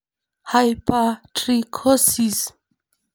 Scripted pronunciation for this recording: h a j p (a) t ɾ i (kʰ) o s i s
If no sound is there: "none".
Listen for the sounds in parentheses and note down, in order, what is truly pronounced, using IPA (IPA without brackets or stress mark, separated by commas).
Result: a, kʰ